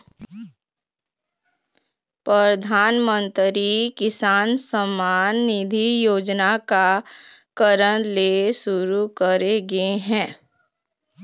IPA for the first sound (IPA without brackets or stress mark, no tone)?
p